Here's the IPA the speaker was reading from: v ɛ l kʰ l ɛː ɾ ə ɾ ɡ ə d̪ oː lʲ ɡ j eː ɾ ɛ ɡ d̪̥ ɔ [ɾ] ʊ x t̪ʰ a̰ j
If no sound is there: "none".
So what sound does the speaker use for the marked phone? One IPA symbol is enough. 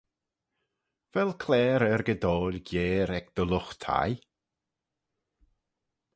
l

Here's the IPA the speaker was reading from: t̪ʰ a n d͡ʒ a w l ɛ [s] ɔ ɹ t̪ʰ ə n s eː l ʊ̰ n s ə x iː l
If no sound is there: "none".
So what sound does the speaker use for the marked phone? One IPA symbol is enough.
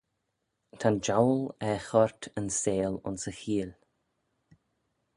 x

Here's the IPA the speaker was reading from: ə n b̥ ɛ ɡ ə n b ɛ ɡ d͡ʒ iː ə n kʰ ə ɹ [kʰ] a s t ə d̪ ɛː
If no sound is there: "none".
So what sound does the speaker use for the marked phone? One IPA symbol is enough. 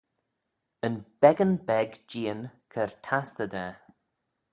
tʰ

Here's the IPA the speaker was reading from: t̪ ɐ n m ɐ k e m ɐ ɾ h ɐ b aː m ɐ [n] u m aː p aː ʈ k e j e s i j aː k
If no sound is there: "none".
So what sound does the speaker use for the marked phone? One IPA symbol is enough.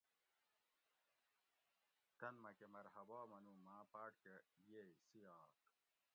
n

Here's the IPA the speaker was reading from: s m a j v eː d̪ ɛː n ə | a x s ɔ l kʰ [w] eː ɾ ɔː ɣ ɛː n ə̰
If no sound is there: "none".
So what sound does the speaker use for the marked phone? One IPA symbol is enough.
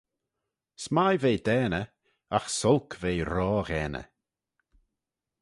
v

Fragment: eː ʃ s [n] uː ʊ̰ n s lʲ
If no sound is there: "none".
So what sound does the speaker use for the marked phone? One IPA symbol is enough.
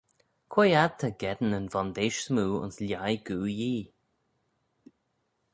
m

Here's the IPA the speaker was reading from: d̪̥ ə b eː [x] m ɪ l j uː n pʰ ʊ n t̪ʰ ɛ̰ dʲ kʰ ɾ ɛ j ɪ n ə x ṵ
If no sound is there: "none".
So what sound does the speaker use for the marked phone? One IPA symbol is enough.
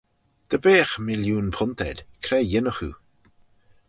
x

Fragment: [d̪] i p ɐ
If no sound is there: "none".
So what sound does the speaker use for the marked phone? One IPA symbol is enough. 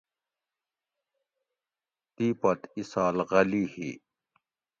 t̪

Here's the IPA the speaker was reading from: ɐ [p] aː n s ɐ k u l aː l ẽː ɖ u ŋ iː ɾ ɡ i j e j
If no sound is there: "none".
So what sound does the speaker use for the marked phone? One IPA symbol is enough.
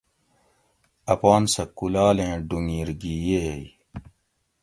p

